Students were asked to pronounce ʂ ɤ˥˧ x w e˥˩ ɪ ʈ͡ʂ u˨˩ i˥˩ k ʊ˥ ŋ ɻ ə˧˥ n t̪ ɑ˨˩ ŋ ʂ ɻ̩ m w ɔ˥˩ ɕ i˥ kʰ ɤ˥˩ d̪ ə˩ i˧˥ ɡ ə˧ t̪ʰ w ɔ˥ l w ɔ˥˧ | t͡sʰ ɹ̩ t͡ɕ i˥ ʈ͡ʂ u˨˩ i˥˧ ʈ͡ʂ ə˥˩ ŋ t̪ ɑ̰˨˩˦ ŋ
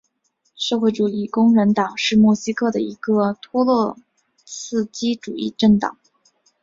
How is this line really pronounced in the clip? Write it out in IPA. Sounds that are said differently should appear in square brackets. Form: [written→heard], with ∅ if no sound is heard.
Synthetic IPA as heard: ʂ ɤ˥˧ x w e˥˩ ɪ ʈ͡ʂ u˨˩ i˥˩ k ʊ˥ ŋ ɻ ə˧˥ n t̪ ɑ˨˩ ŋ ʂ ɻ̩ m w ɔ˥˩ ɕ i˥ kʰ ɤ˥˩ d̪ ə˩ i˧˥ ɡ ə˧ t̪ʰ w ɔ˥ l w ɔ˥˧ | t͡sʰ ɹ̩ t͡ɕ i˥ ʈ͡ʂ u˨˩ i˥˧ ʈ͡ʂ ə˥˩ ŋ t̪ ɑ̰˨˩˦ ŋ